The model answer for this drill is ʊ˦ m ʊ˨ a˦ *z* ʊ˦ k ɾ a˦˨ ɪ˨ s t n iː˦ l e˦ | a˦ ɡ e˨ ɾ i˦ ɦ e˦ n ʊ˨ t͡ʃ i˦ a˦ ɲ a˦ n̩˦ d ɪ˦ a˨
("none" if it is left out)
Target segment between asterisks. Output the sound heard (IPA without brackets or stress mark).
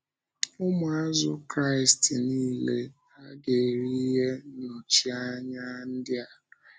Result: z